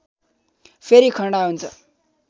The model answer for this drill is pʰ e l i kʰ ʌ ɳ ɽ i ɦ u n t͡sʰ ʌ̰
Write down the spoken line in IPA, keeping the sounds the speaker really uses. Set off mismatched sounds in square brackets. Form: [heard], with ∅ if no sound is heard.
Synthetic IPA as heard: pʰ e [ɾ] i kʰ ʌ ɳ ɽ [a] ɦ u n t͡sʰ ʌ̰